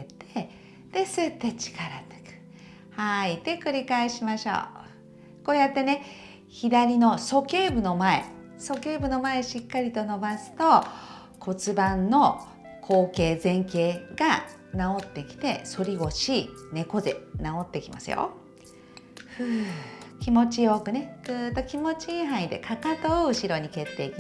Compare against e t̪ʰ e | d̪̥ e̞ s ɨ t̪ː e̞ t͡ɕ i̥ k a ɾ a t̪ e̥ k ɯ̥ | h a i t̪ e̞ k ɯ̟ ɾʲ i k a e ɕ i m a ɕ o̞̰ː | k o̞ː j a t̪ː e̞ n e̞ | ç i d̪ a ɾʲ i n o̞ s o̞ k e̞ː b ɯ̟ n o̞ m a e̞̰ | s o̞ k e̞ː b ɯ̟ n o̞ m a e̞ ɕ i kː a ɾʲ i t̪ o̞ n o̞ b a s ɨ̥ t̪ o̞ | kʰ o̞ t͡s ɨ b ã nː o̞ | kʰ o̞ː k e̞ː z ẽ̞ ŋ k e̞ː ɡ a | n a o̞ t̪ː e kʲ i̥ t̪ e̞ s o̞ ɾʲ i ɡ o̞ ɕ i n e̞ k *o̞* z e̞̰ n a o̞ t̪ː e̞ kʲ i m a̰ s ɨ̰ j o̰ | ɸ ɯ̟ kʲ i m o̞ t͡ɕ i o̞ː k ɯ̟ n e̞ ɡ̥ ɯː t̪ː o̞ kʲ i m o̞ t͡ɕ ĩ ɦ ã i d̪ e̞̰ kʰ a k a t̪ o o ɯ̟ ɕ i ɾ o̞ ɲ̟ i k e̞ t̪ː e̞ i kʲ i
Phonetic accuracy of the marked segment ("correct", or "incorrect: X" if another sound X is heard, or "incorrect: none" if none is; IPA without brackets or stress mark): correct